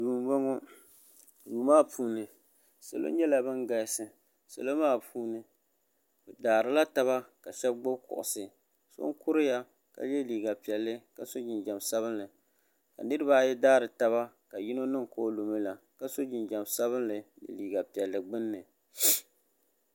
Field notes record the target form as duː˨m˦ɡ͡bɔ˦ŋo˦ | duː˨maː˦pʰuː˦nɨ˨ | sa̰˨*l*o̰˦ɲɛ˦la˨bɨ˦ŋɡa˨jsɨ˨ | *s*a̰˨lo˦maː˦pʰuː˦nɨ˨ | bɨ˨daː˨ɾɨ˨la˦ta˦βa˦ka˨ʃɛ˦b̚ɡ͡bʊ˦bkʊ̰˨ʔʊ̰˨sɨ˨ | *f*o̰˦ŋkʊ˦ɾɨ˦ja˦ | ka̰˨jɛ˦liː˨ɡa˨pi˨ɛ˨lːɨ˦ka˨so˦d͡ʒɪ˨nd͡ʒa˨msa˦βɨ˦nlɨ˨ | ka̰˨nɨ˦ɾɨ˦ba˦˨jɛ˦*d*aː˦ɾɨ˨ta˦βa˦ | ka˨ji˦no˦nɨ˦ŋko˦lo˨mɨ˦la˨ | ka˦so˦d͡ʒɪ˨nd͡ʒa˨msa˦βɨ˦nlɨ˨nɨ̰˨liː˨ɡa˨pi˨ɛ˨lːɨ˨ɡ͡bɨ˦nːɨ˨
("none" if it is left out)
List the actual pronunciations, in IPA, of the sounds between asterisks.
l, s, s, d

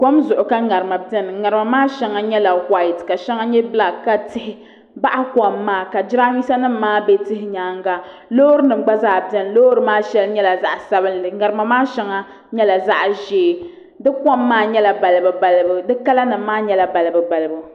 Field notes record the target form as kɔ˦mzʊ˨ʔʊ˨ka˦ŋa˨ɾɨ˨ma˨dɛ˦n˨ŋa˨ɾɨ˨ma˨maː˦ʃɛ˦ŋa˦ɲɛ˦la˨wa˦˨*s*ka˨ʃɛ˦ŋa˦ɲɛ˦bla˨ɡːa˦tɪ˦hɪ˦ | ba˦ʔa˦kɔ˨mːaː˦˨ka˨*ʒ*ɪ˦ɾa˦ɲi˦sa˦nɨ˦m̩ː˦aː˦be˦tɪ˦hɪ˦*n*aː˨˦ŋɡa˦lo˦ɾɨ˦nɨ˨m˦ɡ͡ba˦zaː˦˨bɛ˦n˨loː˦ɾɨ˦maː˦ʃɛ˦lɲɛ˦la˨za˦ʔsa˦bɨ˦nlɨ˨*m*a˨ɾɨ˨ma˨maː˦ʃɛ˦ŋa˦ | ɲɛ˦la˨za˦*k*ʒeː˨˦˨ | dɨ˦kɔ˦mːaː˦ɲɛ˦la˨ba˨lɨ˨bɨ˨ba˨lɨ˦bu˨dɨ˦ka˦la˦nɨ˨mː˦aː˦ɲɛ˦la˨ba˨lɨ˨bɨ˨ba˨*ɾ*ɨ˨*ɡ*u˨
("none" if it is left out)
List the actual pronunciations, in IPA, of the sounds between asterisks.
t, d͡ʒ, ɲ, ŋ, ʔ, l, b

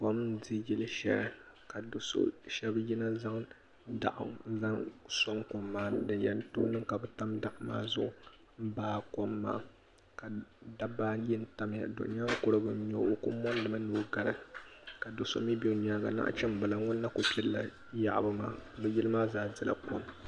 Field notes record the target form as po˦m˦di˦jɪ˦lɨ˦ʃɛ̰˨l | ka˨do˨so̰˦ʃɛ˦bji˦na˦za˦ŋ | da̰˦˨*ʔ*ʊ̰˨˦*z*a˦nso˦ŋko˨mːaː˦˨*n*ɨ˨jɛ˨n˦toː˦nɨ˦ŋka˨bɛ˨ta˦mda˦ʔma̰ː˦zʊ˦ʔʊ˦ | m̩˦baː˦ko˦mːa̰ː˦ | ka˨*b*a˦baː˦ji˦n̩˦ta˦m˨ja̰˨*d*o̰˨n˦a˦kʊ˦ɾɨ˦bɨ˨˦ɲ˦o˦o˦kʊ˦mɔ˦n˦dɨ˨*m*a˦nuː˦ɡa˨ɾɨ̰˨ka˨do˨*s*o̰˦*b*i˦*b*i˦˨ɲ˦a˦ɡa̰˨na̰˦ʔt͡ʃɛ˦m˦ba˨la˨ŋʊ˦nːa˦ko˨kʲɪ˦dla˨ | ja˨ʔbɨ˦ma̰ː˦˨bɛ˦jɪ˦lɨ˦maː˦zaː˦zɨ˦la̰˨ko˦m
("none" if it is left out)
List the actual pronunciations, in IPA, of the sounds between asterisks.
ʔ, z, d, d, d, m, s, m, b

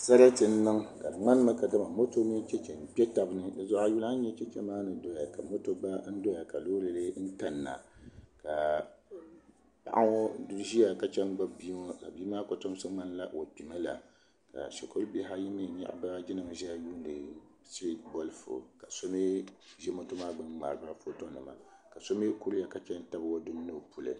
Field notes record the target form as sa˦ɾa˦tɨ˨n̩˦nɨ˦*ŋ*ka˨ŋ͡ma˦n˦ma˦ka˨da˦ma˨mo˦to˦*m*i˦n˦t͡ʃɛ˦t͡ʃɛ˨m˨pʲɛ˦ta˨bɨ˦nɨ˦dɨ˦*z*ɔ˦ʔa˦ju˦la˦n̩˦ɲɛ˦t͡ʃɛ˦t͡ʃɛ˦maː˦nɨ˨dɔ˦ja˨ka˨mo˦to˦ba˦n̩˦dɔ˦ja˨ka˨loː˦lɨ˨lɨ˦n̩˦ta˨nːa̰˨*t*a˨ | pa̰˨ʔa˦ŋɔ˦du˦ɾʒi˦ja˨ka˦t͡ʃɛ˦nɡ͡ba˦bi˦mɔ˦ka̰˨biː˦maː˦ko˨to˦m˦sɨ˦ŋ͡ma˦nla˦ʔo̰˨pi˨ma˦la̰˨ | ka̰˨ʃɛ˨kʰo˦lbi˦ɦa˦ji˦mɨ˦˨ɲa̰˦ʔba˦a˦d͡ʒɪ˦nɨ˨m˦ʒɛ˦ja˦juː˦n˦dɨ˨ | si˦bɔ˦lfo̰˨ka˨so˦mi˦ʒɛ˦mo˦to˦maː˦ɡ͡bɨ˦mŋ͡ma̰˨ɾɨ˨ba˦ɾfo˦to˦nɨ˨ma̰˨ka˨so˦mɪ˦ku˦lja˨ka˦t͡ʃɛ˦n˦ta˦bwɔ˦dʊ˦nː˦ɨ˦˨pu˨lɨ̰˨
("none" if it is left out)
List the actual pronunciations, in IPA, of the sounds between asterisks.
ŋ, m, z, k

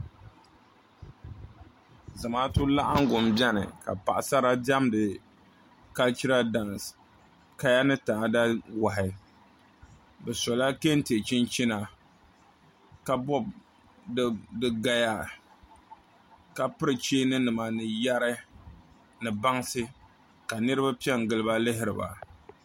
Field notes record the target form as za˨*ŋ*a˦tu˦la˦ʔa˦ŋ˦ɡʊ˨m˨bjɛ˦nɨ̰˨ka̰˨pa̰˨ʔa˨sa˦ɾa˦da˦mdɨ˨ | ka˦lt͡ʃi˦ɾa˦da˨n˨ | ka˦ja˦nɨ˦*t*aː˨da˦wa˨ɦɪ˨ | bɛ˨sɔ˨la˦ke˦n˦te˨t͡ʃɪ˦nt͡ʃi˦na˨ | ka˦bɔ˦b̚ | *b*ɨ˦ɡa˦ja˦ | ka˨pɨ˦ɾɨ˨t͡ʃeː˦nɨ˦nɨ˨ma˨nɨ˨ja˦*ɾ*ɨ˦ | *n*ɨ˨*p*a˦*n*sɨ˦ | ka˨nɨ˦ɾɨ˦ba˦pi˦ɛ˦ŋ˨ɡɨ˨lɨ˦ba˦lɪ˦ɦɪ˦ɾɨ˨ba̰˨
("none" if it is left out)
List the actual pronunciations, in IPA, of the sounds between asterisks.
m, t, d, ɾ, n, b, ŋ

